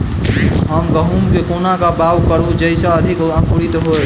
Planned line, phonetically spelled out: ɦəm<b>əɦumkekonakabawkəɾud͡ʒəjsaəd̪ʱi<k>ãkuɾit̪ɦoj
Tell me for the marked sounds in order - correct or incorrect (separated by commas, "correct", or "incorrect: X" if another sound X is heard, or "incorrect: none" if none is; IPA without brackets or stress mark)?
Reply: incorrect: ɡ, correct